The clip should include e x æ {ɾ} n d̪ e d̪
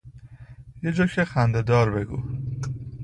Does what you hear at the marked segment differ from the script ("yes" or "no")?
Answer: yes